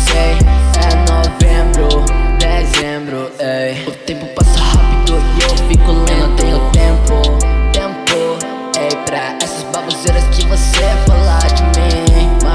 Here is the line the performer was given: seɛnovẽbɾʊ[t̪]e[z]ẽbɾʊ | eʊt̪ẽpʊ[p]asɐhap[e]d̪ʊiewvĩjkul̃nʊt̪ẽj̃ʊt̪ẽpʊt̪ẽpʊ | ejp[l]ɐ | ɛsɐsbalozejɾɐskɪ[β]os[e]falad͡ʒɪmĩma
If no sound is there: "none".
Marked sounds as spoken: d̪, z, p, i, ɾ, v, e

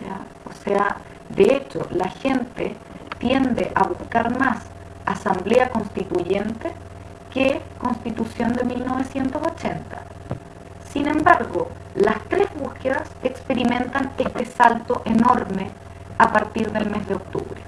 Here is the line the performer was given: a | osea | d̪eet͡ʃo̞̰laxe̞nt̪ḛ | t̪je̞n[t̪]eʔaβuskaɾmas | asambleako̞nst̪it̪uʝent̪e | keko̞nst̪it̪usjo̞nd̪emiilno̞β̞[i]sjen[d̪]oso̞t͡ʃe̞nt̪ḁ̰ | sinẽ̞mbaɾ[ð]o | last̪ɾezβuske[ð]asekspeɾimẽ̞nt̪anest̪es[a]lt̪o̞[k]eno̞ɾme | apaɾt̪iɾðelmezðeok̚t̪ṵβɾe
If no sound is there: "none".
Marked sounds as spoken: d̪, e, t̪, ɣ, ð, a, ʔ

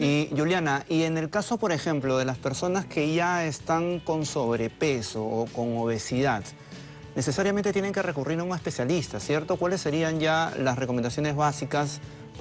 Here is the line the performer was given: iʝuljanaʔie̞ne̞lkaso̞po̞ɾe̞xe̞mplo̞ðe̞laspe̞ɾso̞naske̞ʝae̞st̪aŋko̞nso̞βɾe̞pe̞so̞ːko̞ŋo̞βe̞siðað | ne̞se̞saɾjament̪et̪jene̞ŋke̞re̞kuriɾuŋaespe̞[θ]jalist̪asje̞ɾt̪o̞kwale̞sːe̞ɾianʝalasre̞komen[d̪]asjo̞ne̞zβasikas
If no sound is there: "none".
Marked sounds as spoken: s, d̪

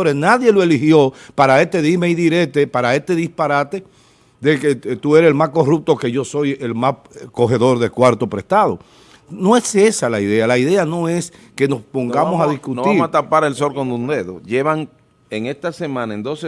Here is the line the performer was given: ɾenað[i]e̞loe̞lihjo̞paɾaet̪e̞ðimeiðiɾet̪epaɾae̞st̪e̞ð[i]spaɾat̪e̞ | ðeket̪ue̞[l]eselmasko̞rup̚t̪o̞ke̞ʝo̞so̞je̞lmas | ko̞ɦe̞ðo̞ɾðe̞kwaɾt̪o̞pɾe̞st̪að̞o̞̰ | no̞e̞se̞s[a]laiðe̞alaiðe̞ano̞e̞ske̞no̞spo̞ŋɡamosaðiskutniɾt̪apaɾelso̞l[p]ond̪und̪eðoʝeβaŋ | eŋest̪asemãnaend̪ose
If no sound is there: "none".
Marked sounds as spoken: j, i, ɾ, a, k

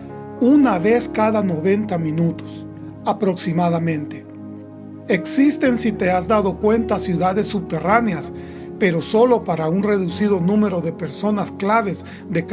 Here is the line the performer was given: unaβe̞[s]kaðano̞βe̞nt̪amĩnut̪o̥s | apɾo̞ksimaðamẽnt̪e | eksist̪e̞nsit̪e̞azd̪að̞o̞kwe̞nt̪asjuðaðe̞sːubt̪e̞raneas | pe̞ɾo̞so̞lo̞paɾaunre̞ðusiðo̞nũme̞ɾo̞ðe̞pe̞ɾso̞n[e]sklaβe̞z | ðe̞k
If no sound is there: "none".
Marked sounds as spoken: s, a

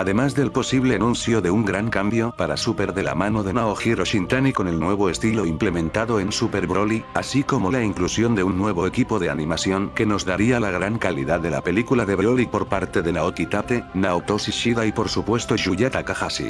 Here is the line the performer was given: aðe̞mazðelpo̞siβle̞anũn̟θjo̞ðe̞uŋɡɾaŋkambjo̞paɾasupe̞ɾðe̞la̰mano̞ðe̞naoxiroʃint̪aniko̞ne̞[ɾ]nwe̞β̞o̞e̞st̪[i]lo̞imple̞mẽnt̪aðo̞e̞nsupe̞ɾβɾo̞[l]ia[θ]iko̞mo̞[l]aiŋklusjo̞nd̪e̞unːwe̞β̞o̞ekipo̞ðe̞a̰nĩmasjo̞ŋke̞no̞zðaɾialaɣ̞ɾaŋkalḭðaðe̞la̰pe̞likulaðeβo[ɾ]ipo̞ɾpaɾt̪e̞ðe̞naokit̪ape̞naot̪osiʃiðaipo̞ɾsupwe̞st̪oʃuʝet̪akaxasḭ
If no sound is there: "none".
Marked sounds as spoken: l, i, l, s, l, l

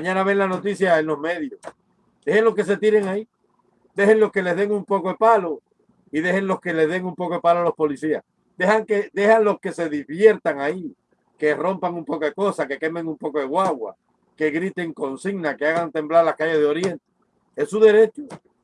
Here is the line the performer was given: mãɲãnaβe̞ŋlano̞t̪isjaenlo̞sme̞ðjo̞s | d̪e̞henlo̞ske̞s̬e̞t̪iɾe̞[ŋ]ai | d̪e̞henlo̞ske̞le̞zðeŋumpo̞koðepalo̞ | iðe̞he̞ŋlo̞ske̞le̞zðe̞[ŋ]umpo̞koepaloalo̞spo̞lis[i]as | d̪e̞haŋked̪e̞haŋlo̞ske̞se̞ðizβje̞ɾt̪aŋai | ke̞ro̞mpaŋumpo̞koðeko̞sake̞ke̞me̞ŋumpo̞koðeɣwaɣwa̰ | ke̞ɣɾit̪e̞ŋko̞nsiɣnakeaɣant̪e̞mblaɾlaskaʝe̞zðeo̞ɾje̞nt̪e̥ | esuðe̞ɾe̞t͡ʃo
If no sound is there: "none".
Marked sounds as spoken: ŋ, ŋ, i

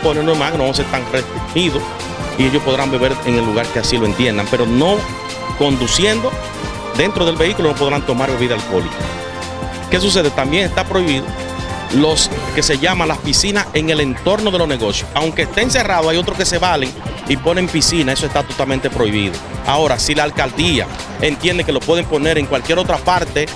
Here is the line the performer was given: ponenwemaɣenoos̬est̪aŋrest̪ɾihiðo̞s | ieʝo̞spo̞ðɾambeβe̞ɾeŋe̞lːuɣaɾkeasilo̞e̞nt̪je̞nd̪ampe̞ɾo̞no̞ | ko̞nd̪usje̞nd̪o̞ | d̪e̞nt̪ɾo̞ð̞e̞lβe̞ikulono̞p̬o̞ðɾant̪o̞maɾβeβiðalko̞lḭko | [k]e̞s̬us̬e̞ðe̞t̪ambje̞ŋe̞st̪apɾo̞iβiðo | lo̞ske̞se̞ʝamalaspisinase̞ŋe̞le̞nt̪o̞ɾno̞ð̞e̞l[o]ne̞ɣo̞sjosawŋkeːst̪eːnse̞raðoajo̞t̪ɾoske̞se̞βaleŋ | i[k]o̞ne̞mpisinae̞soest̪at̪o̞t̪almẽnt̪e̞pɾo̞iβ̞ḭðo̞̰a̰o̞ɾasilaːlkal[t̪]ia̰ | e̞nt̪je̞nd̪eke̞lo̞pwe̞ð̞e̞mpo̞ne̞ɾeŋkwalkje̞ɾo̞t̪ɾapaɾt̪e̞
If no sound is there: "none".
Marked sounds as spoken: k, o, p, d̪

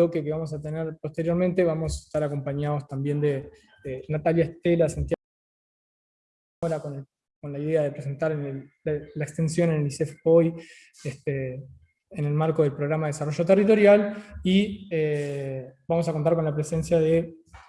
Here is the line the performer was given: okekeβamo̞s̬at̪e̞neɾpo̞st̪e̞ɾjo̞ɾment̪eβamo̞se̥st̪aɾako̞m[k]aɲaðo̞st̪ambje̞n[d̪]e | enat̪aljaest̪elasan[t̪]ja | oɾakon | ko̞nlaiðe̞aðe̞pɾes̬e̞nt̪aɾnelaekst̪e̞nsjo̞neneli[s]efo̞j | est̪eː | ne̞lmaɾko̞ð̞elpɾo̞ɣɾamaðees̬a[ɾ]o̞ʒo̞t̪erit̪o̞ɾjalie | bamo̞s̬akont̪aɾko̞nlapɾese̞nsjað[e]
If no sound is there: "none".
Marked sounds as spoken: p, d̪, t̪, s, r, e

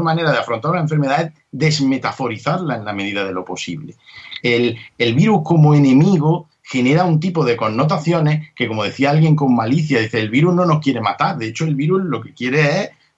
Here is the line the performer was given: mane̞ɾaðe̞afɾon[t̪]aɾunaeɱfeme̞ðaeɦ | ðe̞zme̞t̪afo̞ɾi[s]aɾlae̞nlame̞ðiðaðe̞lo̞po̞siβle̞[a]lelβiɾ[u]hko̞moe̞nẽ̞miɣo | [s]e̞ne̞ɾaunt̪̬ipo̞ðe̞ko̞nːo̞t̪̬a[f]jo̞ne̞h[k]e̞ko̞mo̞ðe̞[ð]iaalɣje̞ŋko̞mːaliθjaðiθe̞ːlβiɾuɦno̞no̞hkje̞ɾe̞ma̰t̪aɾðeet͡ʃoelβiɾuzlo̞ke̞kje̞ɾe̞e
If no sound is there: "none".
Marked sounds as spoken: t̪, θ, e, u, x, θ, k, θ

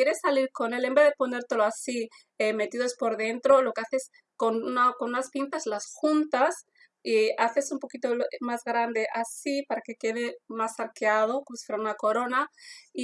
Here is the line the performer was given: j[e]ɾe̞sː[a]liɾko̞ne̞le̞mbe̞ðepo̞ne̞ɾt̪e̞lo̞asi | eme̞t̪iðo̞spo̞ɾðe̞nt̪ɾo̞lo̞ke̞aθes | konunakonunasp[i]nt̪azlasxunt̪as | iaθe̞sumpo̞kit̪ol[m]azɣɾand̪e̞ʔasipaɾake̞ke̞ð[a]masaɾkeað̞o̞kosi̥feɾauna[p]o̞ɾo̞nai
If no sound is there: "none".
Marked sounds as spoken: e, a, i, m, e, k

